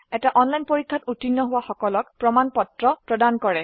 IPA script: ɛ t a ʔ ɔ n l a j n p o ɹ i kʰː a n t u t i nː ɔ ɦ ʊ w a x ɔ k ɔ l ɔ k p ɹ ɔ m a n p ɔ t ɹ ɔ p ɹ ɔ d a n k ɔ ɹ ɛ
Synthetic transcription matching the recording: ɛ t a ʔ ɔ n l a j n p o ɹ i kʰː a t u t i nː ɔ ɦ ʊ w a x ɔ k ɔ l ɔ k p ɹ ɔ m a n p ɔ t ɹ ɔ p ɹ ɔ d a n k ɔ ɹ ɛ